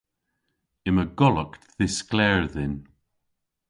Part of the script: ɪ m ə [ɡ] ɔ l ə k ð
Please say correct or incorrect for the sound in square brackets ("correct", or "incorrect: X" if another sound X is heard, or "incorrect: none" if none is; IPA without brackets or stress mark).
correct